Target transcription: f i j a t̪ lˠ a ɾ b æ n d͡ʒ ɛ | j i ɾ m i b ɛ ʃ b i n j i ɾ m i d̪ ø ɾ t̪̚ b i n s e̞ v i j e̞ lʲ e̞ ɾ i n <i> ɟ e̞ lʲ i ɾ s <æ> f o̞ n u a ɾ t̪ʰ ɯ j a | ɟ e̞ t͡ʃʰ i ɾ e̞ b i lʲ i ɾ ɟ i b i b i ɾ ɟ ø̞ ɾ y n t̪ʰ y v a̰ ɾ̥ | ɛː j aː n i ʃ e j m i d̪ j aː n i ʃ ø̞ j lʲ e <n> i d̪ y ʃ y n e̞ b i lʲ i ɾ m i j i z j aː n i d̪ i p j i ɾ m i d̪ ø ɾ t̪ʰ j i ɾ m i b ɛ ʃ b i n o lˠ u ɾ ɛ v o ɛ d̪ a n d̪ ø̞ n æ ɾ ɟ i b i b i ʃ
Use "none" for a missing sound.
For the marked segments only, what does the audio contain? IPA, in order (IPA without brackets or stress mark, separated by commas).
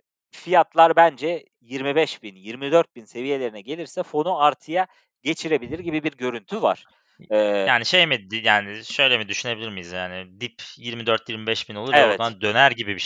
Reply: ɛ, ɛ, m